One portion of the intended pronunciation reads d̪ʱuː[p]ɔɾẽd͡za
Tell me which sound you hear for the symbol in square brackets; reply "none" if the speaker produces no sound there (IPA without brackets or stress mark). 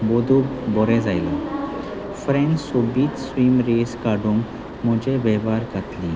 b